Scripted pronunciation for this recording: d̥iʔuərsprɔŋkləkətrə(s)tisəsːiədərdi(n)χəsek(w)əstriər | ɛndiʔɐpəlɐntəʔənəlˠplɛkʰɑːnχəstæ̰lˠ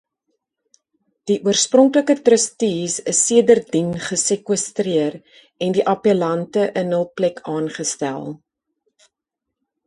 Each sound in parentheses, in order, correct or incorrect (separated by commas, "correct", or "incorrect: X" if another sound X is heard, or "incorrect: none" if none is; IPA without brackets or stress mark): correct, correct, correct